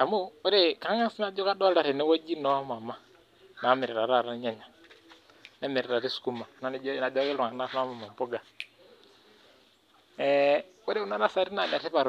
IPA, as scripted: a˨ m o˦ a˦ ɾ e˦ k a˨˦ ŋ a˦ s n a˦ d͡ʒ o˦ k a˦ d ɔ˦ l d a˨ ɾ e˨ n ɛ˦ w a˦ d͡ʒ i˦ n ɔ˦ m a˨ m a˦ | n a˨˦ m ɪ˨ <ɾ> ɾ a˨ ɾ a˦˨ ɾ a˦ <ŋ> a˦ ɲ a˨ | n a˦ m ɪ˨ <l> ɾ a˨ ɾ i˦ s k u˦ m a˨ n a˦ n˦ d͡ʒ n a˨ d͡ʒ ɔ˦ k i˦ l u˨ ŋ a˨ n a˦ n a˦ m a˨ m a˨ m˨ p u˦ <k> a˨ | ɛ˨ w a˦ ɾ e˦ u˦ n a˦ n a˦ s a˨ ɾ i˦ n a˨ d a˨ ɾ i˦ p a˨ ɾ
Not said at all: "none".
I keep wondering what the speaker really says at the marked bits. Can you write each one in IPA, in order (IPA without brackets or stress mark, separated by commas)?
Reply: ɾ, ɲ, ɾ, ɡ